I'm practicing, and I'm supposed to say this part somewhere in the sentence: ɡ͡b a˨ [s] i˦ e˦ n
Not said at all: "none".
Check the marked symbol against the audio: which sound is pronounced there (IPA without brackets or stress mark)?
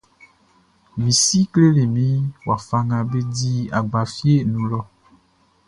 f